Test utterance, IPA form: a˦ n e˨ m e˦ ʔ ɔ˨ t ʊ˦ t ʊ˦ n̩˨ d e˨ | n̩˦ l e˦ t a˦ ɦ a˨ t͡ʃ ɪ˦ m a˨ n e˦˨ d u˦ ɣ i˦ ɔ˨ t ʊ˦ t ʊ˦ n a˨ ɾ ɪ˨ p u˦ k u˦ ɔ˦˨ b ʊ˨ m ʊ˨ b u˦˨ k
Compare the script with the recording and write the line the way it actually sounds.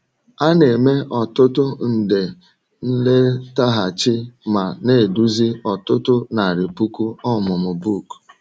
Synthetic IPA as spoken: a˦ n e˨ m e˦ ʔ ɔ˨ t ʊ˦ t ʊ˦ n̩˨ d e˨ | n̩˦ l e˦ t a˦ ɦ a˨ t͡ʃ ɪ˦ m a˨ n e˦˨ d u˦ z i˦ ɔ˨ t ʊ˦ t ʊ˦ n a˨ ɾ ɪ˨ p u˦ k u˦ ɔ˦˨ m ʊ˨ m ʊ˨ b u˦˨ k

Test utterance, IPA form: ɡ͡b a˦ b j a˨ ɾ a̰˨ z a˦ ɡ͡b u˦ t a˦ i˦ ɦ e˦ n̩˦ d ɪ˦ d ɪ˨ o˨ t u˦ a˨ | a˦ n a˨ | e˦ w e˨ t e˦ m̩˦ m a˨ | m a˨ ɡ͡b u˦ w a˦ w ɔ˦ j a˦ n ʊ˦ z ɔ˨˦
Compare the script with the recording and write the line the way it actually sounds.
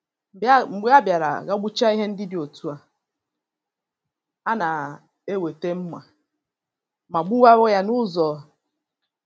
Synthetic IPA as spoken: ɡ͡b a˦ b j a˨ ɾ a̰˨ ɣ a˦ ɡ͡b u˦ t͡ʃ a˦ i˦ ɦ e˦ n̩˦ d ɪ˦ d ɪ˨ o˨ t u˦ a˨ | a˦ n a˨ | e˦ w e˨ t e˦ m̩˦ m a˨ | m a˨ ɡ͡b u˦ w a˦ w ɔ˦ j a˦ n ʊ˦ z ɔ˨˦

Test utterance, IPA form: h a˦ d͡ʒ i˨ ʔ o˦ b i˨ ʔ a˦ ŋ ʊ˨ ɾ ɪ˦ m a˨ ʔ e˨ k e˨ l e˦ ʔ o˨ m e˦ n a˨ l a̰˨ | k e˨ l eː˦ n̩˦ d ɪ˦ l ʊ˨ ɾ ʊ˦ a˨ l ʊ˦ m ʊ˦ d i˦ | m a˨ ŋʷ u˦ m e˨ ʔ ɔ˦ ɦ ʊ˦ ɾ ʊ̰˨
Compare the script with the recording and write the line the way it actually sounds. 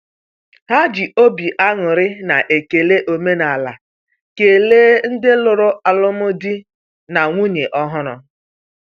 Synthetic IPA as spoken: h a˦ d͡ʒ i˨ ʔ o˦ b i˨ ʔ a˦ ŋ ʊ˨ ɾ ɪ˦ n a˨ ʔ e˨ k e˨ l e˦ ʔ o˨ m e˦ n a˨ l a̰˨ | k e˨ l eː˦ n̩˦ d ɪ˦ l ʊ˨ ɾ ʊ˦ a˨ l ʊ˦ m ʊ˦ d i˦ | n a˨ ŋʷ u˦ ɲ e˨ ʔ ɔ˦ ɦ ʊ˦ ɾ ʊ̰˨

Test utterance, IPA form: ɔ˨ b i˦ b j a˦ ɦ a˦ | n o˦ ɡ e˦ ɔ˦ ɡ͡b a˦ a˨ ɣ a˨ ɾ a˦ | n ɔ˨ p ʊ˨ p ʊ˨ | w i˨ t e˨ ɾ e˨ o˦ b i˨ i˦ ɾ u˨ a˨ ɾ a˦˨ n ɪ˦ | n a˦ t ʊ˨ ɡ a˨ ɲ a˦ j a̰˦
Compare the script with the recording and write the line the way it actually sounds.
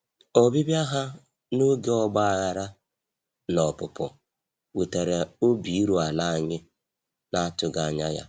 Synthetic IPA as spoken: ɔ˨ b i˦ b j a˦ ɦ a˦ | n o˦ ɡ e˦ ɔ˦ ɡ͡b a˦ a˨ ɣ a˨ ɾ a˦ | n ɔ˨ p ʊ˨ p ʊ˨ | w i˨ t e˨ ɾ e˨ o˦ b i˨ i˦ ɾ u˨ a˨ l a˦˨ ɲ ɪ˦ | n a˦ t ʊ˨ ɡ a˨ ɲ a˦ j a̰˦

